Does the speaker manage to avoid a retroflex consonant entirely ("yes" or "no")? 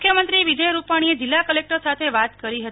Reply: no